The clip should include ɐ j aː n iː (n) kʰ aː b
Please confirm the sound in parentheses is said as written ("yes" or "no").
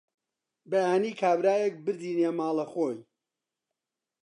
no